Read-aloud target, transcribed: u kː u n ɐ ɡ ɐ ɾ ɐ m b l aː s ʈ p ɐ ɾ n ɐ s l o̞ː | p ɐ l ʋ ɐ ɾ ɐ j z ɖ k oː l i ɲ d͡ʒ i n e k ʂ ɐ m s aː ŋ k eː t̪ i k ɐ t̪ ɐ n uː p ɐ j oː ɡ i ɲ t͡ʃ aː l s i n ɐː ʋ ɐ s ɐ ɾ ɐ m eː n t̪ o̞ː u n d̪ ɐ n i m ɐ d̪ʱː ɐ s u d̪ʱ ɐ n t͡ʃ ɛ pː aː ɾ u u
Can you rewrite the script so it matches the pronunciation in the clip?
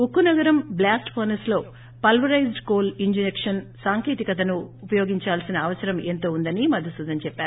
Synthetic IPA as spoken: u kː u n ɐ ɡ ɐ ɾ ɐ m b l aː s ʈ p ɐ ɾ n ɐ s l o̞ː | p ɐ l ʋ ɐ ɾ ɐ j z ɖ k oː l i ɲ d͡ʒ i n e k ʂ ɐ n s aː ŋ k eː t̪ i k ɐ t̪ ɐ n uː p ɐ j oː ɡ i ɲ t͡ʃ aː l s i n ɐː ʋ ɐ s ɐ ɾ ɐ m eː n t̪ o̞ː u n d̪ ɐ n i m ɐ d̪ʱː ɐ s u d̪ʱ ɐ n t͡ʃ ɛ pː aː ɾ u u